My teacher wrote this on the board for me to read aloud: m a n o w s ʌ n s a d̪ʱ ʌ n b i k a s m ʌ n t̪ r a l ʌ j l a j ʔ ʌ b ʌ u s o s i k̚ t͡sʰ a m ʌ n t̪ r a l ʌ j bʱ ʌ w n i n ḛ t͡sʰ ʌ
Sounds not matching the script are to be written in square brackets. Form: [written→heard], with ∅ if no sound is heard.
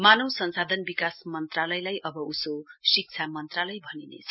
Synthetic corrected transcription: m a n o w s ʌ n s a d̪ʱ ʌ n b i k a s m ʌ n t̪ r a l ʌ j l a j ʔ ʌ b ʌ u s o s i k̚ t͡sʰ a m ʌ n t̪ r a l ʌ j bʱ ʌ [w→∅] n i n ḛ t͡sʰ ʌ